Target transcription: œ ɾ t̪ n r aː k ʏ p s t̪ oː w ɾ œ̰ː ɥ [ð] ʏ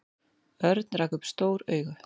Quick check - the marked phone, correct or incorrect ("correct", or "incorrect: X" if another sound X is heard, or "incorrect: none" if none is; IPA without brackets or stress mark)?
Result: incorrect: ɣ